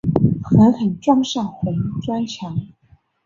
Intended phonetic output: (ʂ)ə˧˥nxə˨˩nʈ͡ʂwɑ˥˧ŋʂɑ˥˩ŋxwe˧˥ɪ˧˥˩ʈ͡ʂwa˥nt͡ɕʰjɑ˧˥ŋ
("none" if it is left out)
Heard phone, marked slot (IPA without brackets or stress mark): x